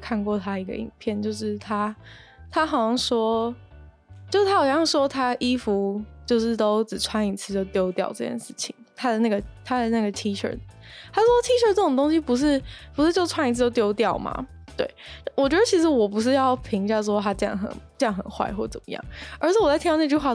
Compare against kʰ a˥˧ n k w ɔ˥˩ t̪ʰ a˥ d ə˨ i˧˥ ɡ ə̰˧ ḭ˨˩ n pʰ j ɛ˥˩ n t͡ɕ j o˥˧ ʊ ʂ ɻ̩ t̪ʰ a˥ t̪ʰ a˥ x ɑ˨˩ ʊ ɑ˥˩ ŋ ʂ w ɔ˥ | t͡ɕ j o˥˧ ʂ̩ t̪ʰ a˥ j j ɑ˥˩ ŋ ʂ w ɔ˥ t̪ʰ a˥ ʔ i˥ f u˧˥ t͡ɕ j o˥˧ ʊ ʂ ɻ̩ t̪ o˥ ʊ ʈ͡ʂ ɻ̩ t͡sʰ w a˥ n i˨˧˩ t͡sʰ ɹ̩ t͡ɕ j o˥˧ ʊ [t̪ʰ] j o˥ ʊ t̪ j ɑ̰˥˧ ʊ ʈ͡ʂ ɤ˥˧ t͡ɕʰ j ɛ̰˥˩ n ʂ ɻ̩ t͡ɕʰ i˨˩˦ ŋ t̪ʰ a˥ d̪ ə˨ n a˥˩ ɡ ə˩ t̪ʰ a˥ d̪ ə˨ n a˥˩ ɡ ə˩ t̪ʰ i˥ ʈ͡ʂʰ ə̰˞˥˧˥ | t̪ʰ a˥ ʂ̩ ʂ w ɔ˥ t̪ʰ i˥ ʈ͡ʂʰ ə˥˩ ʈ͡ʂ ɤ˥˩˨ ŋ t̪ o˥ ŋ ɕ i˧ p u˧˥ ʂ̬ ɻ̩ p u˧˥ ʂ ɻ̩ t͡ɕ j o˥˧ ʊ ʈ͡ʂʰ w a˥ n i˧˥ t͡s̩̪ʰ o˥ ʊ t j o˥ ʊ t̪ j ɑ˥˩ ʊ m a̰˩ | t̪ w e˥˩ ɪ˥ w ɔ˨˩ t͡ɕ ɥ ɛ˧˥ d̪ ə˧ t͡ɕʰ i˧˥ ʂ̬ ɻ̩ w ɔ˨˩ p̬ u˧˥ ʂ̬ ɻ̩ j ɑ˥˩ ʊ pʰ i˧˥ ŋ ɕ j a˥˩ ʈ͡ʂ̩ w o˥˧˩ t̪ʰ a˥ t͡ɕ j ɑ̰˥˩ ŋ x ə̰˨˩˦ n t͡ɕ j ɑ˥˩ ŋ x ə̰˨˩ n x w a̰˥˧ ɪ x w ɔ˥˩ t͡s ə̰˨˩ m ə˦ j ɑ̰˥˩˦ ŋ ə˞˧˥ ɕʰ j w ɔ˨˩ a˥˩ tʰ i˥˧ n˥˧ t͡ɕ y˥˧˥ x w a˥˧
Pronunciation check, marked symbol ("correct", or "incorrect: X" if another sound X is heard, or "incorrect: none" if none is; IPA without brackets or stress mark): incorrect: t̪